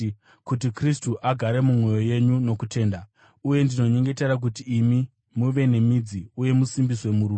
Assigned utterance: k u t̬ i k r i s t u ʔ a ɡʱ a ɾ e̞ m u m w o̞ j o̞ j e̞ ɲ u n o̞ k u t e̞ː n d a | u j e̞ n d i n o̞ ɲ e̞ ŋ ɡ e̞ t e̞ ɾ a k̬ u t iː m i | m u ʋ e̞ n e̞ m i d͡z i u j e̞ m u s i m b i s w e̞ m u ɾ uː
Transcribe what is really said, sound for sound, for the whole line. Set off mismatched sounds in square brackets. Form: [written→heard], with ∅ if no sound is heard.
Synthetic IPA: k u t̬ i k r i s t u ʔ a ɡʱ a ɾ e̞ m u m w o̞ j o̞ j e̞ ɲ u n o̞ k u t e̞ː n d a | u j e̞ n d i n o̞ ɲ e̞ ŋ ɡ e̞ t e̞ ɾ a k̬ u t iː m i | m u ʋ e̞ n e̞ m i d͡z i u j e̞ m u s i m b i s w e̞ m u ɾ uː

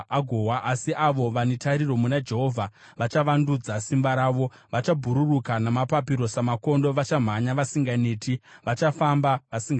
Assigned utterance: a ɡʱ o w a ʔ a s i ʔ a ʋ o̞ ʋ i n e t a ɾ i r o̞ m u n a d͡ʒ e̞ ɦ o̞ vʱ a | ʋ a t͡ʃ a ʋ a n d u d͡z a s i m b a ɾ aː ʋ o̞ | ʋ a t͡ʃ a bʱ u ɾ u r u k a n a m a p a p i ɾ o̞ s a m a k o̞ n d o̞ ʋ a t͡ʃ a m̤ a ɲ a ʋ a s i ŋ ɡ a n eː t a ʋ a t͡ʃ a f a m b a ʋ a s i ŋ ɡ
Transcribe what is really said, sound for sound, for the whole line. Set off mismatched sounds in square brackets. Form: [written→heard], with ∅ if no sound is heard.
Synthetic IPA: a ɡʱ o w a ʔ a s i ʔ a ʋ o̞ ʋ [i→a] n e t a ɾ i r o̞ m u n a d͡ʒ e̞ ɦ o̞ vʱ a | ʋ a t͡ʃ a ʋ a n d u d͡z a s i m b a ɾ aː ʋ o̞ | ʋ a t͡ʃ a bʱ u ɾ u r u k a n a m a p a p i ɾ o̞ s a m a k o̞ n d o̞ ʋ a t͡ʃ a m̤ a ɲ a ʋ a s i ŋ ɡ a n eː t [a→i] ʋ a t͡ʃ a f a m b a ʋ a s i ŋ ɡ

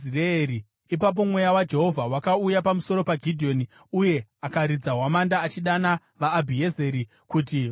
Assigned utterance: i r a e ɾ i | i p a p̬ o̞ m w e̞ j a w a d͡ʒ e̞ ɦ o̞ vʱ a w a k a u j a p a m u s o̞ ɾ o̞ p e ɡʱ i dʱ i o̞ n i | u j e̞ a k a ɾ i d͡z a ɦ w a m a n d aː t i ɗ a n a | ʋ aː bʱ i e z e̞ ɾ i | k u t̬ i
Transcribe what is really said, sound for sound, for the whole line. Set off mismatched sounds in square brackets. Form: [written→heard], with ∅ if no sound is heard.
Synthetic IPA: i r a e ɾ i | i p a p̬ o̞ m w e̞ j a w a d͡ʒ e̞ ɦ o̞ vʱ a w a k a u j a p a m u s o̞ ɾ o̞ p [e→a] ɡʱ i dʱ i o̞ n i | u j e̞ a k a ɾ i d͡z a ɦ w a m a n d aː [t→t͡ʃ] i ɗ a n a | ʋ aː bʱ i e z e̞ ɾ i | k u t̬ i

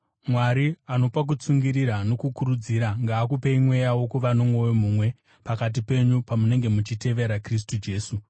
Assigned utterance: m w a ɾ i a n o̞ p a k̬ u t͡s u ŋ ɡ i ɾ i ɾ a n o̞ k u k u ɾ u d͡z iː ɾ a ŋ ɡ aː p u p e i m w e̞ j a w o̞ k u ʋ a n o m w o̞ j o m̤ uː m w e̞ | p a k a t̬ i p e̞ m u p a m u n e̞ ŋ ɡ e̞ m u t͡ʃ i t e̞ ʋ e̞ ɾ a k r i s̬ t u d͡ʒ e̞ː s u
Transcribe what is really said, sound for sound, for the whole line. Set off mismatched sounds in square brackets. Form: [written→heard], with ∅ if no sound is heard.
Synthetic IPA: m w a ɾ i a n o̞ p a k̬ u t͡s u ŋ ɡ i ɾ i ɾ a n o̞ k u k u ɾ u d͡z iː ɾ a ŋ ɡ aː [p→k] u p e i m w e̞ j a w o̞ k u ʋ a n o m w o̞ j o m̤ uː m w e̞ | p a k a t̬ i p e̞ [m→ɲ] u p a m u n e̞ ŋ ɡ e̞ m u t͡ʃ i t e̞ ʋ e̞ ɾ a k r i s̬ t u d͡ʒ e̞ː s u

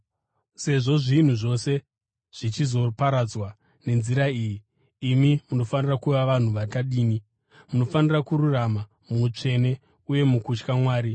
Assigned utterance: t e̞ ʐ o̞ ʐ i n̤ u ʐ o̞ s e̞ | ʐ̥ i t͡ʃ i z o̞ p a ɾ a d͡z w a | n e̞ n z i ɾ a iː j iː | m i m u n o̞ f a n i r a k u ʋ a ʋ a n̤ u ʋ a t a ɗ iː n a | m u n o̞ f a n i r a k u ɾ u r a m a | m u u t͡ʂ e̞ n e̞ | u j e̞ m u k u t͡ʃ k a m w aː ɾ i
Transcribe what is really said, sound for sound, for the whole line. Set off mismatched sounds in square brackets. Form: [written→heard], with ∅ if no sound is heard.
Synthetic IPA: [t→s] e̞ ʐ o̞ ʐ i n̤ u ʐ o̞ s e̞ | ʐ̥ i t͡ʃ i z o̞ p a ɾ a d͡z w a | n e̞ n z i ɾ a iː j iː | m i m u n o̞ f a n i r a k u ʋ a ʋ a n̤ u ʋ a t a ɗ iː n [a→i] | m u n o̞ f a n i r a k u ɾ u r a m a | m u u t͡ʂ e̞ n e̞ | u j e̞ m u k u t͡ʃ k a m w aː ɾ i

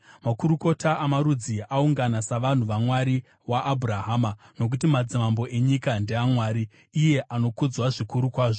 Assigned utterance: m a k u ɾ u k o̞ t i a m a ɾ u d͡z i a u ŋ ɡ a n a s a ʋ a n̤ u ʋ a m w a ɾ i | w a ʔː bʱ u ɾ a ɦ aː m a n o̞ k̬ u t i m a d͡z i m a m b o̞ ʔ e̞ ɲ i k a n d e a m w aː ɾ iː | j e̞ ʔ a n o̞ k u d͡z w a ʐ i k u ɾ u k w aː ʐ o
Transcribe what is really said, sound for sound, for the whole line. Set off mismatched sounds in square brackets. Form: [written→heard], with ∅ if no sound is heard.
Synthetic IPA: m a k u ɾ u k o̞ t [i→a] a m a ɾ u d͡z i a u ŋ ɡ a n a s a ʋ a n̤ u ʋ a m w a ɾ i | w a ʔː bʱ u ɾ a ɦ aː m a n o̞ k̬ u t i m a d͡z i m a m b o̞ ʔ e̞ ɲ i k a n d e a m w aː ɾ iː | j e̞ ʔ a n o̞ k u d͡z w a ʐ i k u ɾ u k w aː ʐ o

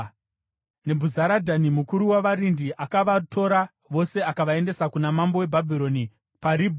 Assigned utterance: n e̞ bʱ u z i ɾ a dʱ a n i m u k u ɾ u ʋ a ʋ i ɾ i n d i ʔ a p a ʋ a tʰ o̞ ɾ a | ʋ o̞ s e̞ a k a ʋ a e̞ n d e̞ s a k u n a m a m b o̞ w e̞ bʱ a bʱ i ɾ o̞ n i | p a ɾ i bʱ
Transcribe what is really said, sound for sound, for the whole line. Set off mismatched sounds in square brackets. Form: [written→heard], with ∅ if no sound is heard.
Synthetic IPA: n e̞ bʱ u z [i→a] ɾ a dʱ a n i m u k u ɾ u [ʋ→w] a ʋ [i→a] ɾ i n d i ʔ a [p→k] a ʋ a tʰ o̞ ɾ a | ʋ o̞ s e̞ a k a ʋ a e̞ n d e̞ s a k u n a m a m b o̞ w e̞ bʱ a bʱ i ɾ o̞ n i | p a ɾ i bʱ

